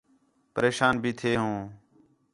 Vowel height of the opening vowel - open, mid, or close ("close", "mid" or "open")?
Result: mid